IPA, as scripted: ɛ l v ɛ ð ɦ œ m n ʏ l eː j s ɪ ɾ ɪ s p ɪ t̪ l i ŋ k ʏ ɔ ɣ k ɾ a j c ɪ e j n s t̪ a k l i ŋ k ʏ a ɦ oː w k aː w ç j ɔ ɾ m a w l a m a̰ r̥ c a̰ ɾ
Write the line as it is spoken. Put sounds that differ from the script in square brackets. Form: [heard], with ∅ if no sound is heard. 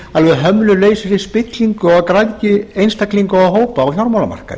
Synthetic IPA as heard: [a] l v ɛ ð ɦ œ m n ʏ l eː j s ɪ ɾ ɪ s p ɪ t̪ l i ŋ k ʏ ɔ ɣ k ɾ a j c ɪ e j n s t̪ a k l i ŋ k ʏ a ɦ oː w [p] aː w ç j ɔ ɾ m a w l a m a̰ r̥ [k] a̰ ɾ